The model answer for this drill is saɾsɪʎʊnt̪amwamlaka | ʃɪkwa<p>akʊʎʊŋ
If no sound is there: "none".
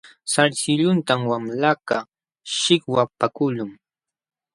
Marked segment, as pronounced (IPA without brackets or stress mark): p